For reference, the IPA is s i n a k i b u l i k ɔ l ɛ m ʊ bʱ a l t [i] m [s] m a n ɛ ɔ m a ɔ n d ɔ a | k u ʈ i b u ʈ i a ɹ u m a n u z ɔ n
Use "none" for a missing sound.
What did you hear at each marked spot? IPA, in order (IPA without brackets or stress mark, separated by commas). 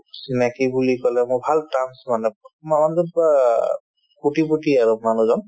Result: a, s